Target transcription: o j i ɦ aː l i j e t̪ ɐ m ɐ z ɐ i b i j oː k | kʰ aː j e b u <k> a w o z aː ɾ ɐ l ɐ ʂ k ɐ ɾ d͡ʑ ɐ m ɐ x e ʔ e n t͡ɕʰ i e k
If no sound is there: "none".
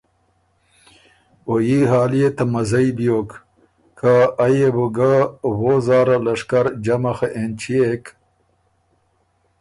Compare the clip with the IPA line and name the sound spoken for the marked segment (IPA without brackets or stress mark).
ɡ